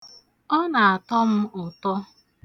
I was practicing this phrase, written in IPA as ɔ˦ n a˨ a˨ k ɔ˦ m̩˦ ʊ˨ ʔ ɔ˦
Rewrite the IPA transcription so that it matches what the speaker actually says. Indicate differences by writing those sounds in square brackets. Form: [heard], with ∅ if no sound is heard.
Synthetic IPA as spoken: ɔ˦ n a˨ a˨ [t] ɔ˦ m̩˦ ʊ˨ [t] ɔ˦